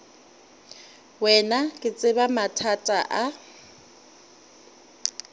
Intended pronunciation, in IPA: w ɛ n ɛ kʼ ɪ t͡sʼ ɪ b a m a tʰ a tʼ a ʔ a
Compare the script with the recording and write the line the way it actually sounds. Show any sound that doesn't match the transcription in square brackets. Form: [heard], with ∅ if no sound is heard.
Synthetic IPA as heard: w ɛ n [a] kʼ ɪ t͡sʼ ɪ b a m a tʰ a tʼ a ʔ a